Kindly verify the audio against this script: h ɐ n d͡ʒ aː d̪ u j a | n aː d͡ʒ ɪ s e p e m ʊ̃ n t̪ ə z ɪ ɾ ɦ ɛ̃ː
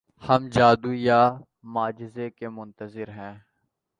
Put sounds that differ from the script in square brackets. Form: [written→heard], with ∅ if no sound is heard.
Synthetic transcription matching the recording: h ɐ [n→m] d͡ʒ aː d̪ u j a | [n→m] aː d͡ʒ ɪ [s→z] e [p→k] e m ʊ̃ n t̪ ə z ɪ ɾ ɦ ɛ̃ː